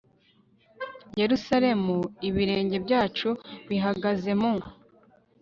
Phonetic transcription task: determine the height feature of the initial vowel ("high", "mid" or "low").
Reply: mid